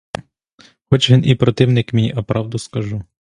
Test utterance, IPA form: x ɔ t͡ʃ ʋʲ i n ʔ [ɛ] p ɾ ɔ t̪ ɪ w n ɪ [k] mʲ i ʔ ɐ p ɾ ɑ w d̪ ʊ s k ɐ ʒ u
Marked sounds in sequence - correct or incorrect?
incorrect, correct

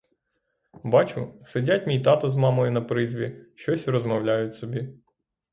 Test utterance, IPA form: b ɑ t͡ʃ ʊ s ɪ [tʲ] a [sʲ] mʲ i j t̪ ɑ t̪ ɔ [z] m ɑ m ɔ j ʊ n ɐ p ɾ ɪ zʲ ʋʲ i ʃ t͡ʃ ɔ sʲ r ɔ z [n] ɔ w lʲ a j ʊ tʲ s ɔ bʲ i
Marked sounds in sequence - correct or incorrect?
incorrect, incorrect, correct, incorrect

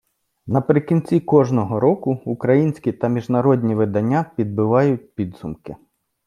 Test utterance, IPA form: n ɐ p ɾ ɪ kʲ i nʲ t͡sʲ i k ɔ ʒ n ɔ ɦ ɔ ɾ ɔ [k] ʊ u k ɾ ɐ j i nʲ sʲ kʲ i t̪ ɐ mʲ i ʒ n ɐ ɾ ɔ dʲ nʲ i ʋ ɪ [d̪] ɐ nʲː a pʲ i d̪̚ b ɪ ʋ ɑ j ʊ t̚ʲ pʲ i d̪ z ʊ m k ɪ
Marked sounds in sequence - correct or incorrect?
correct, correct

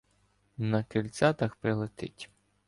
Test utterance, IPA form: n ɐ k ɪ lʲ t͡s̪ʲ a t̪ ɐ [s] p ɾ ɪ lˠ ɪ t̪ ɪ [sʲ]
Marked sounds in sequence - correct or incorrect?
incorrect, incorrect

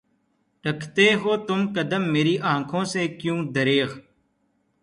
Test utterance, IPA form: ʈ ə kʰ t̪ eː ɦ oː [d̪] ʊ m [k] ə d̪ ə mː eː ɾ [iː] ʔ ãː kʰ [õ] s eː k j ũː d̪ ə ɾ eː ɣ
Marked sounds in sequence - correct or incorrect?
incorrect, correct, correct, incorrect

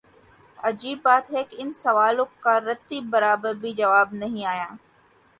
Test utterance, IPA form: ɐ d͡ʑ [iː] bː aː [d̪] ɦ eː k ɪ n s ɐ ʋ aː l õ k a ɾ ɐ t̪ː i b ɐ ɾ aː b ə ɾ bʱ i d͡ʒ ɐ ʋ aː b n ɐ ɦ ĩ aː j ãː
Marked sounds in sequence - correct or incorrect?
correct, incorrect

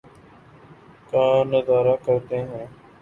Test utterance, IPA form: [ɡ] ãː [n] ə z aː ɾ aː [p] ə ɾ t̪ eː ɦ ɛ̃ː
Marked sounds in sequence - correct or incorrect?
incorrect, correct, incorrect

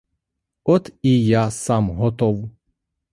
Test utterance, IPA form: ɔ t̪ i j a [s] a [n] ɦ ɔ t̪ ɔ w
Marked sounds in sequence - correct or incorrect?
correct, incorrect

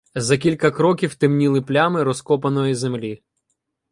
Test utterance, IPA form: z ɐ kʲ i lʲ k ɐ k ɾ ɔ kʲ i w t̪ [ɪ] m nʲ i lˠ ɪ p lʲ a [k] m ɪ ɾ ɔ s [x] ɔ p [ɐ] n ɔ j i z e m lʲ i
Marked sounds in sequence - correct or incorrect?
correct, incorrect, incorrect, correct

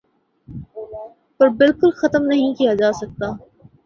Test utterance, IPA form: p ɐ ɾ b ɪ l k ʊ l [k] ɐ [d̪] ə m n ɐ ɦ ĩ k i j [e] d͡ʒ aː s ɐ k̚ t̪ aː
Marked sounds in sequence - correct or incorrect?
incorrect, incorrect, incorrect

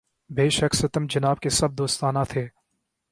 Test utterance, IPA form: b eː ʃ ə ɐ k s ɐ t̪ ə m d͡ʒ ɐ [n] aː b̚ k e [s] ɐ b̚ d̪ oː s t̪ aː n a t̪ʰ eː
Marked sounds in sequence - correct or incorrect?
correct, correct

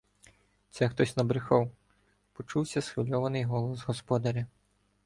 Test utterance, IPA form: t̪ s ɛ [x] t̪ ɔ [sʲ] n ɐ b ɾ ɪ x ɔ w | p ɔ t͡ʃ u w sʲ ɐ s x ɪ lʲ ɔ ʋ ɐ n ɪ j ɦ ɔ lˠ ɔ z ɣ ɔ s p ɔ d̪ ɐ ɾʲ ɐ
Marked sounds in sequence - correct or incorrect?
correct, correct

